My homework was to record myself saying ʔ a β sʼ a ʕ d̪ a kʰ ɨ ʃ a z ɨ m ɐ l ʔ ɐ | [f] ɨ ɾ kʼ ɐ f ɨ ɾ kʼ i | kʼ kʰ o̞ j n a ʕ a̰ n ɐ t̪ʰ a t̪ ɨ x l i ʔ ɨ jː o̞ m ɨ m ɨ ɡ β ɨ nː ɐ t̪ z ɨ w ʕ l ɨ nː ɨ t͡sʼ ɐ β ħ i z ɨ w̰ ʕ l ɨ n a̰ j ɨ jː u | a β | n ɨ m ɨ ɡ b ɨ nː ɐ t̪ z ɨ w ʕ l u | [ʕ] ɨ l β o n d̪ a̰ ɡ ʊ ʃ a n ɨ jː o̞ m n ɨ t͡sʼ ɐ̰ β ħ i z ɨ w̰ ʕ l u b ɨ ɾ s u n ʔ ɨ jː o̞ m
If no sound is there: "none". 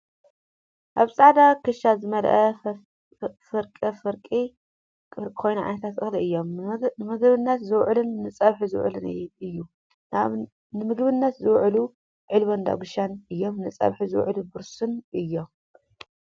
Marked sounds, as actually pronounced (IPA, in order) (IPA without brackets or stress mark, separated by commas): f, ʕ